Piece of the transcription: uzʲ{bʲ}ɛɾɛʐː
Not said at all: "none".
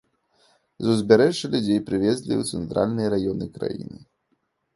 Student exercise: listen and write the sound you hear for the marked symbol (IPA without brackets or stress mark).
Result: bʲ